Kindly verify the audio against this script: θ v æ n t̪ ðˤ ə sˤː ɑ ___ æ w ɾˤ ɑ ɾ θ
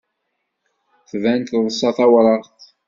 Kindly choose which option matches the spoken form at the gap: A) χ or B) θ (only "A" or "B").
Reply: B